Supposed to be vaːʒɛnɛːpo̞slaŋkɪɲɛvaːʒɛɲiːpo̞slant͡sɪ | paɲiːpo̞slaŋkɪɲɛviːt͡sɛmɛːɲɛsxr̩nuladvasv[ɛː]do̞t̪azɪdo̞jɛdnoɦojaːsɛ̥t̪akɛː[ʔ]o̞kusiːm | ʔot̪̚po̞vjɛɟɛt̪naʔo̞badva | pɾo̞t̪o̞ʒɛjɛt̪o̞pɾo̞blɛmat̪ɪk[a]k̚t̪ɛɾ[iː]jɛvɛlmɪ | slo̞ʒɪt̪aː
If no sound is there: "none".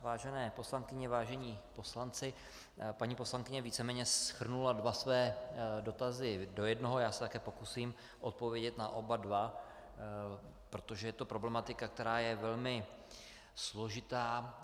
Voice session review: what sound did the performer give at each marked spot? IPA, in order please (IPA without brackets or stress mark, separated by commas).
ɛː, p, a, aː